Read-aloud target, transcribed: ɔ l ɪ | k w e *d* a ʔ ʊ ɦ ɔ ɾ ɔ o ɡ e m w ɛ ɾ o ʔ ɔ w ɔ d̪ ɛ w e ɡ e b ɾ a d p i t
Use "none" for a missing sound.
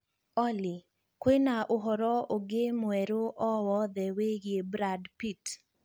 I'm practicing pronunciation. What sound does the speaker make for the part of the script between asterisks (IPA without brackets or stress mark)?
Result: n